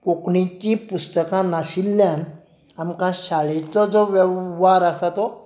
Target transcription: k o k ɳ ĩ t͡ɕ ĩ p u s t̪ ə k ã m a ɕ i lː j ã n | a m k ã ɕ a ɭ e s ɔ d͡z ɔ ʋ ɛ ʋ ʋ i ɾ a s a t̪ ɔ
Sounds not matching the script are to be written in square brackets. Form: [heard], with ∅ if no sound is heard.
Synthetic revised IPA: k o k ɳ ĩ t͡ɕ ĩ p u s t̪ ə k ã [n] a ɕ i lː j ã n | a m k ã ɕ a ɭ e [t͡s] ɔ d͡z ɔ ʋ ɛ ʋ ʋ [a] ɾ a s a t̪ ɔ